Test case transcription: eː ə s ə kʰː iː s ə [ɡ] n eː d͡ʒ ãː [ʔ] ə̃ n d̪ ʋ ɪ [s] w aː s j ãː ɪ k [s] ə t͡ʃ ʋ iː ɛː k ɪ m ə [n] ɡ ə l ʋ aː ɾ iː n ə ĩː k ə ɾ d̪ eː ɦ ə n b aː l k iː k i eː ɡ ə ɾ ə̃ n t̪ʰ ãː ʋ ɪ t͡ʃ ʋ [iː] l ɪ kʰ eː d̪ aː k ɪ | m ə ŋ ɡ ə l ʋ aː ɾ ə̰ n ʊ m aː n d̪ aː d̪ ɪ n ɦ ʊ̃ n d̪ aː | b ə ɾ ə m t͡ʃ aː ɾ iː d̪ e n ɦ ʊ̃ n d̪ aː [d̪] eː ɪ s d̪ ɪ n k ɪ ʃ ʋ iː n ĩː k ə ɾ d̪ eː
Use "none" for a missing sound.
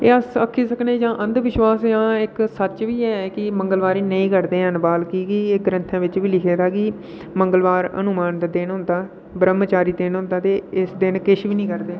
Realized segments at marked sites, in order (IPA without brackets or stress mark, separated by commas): k, ʔ, ʃ, s, ŋ, iː, t̪